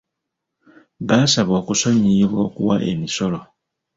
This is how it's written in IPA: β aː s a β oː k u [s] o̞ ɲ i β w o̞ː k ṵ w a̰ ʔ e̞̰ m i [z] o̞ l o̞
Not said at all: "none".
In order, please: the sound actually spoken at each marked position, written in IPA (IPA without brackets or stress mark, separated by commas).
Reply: s, s